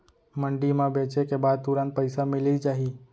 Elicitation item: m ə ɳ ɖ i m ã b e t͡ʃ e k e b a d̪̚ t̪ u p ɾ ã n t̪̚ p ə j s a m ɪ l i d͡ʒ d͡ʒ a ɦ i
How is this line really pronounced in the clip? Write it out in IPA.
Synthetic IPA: m ə ɳ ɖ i m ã b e t͡ʃ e k e b a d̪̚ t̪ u ɾ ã n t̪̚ p ə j s a m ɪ l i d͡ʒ d͡ʒ a ɦ i